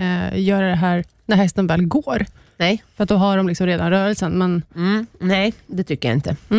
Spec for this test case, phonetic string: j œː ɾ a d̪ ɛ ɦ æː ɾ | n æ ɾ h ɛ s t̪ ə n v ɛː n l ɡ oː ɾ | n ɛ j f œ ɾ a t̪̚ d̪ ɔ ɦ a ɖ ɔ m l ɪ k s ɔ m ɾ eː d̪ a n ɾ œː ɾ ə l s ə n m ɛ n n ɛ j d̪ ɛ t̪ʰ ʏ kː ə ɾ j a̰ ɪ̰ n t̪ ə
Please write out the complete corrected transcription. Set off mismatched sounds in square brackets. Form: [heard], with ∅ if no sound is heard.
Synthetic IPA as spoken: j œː ɾ a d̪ ɛ ɦ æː ɾ | n æ ɾ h ɛ s t̪ ə n v ɛː [∅] l ɡ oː ɾ | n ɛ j f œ ɾ a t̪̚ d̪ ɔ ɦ a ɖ ɔ m l ɪ k s ɔ m ɾ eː d̪ a n ɾ œː ɾ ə l s ə n m ɛ n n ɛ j d̪ ɛ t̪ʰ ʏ kː ə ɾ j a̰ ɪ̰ n t̪ ə